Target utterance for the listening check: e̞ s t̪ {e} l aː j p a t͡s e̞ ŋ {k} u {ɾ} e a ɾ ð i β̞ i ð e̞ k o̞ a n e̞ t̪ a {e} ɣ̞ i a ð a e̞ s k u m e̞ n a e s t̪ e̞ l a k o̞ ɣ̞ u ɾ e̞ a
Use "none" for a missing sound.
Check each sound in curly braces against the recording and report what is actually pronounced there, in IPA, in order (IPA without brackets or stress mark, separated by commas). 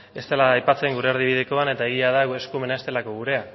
e, ɡ, ɾ, e